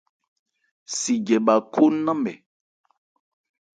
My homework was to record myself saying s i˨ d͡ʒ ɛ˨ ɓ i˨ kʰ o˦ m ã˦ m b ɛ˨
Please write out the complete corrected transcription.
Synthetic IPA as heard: s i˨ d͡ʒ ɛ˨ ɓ a˨ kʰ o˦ n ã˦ m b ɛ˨